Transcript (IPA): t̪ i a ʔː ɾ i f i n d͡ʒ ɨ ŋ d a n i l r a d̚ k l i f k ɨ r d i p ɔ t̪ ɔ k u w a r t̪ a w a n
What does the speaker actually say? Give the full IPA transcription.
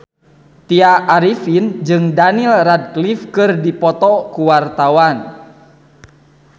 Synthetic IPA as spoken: t̪ i a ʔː ɾ i f i n d͡ʒ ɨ ŋ d a n i l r a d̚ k l i f k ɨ r d i p ɔ t̪ ɔ k u w a r t̪ a w a n

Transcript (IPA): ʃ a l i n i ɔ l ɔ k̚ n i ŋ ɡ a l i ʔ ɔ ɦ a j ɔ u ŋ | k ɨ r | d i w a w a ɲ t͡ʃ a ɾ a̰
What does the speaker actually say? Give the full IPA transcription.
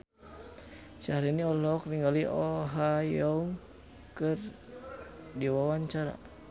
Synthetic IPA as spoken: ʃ a ɾ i n i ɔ l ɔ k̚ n i ŋ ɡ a l i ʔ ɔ ɦ a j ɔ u ŋ | k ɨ r | d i w a w a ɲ t͡ʃ a ɾ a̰

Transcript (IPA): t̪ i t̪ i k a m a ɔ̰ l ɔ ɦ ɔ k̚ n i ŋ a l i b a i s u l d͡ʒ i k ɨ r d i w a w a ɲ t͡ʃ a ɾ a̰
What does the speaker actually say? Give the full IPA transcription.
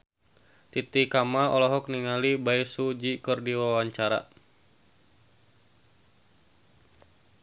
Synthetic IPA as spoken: t̪ i t̪ i k a m a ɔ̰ l ɔ ɦ ɔ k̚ n i ŋ a l i b a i s u d͡ʒ i k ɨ r d i w a w a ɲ t͡ʃ a ɾ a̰

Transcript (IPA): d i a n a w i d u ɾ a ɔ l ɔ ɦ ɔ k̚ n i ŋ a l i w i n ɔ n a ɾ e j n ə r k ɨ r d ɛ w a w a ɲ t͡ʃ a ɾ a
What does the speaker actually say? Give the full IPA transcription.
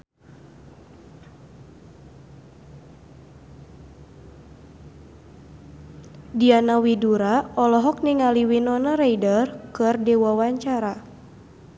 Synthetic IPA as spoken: d i a n a w i d u ɾ a ɔ l ɔ ɦ ɔ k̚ n i ŋ a l i w i n ɔ n a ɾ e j d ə r k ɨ r d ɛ w a w a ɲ t͡ʃ a ɾ a

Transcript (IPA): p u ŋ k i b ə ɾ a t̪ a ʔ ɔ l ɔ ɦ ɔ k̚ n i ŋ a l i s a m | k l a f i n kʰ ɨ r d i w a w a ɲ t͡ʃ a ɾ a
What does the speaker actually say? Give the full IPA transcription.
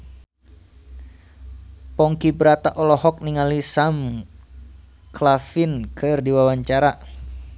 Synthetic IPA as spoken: p ɔ ŋ k i b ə ɾ a t̪ a ʔ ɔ l ɔ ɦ ɔ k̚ n i ŋ a l i s a m | k l a f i n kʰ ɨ r d i w a w a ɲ t͡ʃ a ɾ a

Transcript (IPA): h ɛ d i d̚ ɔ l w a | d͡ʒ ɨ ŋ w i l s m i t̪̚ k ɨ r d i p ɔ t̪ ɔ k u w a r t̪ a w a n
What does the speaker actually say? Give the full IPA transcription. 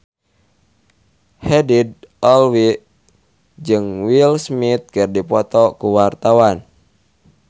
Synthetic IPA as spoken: h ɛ d i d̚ ɔ l w i | d͡ʒ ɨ ŋ w i l s m i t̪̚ k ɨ r d i p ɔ t̪ ɔ k u w a r t̪ a w a n

